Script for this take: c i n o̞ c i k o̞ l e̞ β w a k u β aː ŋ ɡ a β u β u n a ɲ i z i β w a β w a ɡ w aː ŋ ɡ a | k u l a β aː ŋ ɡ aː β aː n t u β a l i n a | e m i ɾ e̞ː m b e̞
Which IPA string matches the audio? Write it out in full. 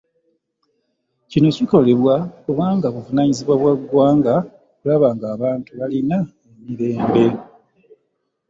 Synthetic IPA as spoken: c i n o̞ c i k o̞ l e̞ β w a k u β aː ŋ ɡ a β u v u n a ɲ i z i β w a β w a ɡ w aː ŋ ɡ a | k u l a β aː ŋ ɡ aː β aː n t u β a l i n a | e m i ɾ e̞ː m b e̞